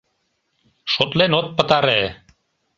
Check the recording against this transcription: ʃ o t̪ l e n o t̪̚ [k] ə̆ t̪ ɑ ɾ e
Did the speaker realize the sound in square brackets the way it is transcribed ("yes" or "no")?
no